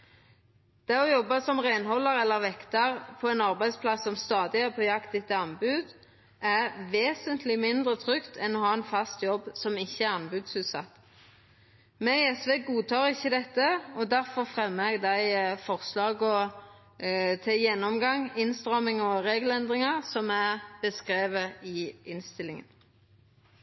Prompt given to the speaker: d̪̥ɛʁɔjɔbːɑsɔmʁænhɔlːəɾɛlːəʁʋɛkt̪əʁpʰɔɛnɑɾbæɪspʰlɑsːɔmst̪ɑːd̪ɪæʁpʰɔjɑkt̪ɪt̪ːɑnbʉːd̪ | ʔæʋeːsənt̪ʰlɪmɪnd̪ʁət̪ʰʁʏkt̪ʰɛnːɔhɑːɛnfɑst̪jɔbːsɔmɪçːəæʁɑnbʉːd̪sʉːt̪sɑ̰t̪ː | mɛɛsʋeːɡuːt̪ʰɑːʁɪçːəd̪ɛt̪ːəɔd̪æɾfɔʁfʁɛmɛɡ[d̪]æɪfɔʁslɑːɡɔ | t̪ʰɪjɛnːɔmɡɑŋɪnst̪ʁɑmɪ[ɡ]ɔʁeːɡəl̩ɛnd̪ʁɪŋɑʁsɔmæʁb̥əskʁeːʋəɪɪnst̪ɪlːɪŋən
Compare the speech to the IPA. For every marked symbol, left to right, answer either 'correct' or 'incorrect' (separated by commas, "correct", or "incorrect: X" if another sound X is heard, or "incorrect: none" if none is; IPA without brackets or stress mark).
correct, incorrect: ŋ